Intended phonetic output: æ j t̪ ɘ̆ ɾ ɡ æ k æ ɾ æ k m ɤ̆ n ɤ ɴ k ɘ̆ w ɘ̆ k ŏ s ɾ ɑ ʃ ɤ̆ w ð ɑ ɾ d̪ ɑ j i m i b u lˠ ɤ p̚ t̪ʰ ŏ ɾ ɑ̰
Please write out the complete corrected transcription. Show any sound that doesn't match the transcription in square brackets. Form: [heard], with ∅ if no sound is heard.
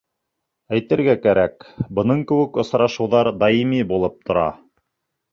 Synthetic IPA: æ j t̪ ɘ̆ ɾ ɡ æ k æ ɾ æ k [b] ɤ̆ n ɤ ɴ k ɘ̆ w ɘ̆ k ŏ s ɾ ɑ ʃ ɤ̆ w ð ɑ ɾ d̪ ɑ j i m i b u lˠ ɤ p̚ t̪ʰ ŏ ɾ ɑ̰